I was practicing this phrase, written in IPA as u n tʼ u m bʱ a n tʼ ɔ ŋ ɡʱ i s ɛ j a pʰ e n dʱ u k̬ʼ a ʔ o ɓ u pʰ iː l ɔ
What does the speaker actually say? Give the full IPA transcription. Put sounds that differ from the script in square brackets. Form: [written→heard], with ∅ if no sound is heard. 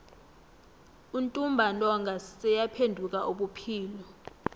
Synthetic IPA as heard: u n tʼ u m bʱ a n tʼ ɔ ŋ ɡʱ [i→a] s ɛ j a pʰ e n dʱ u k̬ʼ a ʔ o ɓ u pʰ iː l ɔ